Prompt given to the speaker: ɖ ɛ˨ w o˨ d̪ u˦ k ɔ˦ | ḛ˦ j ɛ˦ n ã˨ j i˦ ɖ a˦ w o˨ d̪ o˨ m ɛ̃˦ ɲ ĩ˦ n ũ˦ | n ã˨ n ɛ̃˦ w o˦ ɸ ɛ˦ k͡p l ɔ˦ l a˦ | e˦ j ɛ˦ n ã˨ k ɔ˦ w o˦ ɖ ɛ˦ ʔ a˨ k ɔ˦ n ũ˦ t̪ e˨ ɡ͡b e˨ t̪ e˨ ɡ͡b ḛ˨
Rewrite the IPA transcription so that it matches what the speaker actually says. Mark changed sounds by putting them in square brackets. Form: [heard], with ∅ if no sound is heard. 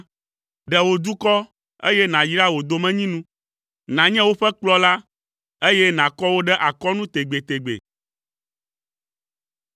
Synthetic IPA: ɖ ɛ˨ w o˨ d̪ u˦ k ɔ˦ | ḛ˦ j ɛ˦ n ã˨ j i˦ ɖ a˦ w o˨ d̪ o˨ m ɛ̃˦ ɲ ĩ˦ n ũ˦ | n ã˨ [ɲ] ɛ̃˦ w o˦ ɸ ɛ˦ k͡p l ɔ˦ l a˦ | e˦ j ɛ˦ n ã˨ k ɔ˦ w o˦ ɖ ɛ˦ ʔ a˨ k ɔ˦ n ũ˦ t̪ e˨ ɡ͡b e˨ t̪ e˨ ɡ͡b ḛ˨